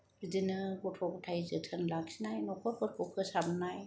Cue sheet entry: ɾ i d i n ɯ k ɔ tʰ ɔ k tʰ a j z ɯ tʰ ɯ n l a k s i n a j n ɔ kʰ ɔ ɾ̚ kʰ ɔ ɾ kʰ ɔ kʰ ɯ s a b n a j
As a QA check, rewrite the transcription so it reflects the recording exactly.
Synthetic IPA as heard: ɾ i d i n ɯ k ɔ tʰ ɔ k tʰ a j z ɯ tʰ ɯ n l a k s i n a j n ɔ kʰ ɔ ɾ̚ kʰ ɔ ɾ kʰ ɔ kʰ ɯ s a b n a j